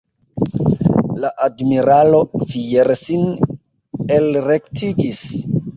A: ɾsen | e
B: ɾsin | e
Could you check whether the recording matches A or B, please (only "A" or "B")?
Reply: B